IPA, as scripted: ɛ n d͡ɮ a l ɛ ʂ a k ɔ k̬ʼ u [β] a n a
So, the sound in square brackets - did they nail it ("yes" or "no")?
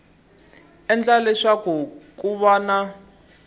yes